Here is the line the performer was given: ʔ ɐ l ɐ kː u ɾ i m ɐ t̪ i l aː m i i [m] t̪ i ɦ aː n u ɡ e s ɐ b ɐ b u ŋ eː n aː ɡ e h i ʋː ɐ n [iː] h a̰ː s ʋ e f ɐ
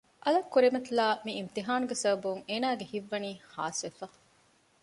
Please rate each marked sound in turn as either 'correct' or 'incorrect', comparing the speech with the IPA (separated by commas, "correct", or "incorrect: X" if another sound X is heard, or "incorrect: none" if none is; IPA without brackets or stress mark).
correct, correct